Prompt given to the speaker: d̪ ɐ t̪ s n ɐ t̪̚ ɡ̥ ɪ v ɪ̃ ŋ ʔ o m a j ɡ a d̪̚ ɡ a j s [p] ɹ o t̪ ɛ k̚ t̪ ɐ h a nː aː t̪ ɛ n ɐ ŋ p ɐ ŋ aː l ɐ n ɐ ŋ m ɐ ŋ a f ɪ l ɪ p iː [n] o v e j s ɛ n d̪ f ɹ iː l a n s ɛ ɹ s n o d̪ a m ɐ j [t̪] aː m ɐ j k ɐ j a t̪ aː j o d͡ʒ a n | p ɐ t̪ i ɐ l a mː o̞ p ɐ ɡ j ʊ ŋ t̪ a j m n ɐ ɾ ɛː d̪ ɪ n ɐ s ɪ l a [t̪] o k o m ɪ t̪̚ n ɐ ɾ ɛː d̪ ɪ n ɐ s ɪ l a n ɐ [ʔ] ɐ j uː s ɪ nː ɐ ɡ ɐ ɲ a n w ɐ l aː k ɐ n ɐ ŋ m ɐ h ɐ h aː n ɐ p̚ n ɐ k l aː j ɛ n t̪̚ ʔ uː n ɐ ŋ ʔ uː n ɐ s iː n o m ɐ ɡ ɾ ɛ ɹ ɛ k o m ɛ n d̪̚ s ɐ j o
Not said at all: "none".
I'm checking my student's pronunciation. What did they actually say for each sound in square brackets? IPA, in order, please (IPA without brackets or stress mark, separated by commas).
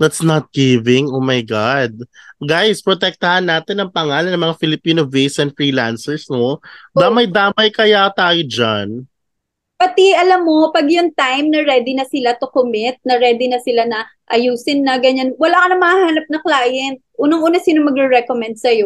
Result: p, n, d̪, t̪, ʔ